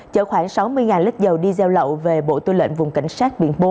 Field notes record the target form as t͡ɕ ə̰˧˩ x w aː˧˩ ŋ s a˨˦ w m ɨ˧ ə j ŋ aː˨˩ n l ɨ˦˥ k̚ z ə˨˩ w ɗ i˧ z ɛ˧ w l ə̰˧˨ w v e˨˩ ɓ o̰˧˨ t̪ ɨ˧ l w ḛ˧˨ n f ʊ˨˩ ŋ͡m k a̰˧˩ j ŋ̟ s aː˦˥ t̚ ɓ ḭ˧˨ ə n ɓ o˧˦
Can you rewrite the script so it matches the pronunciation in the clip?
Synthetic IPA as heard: t͡ɕ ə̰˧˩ x w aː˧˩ ŋ s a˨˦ w m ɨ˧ ə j ŋ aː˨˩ n l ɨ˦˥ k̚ z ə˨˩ w ɗ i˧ z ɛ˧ w l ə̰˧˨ w v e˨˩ ɓ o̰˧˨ t̪ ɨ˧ l w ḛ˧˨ n v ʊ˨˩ ŋ͡m k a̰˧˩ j ŋ̟ s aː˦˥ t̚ ɓ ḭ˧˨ ə n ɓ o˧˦